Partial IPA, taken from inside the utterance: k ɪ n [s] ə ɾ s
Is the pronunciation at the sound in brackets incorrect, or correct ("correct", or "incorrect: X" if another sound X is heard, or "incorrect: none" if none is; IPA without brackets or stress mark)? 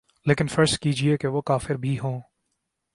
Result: incorrect: f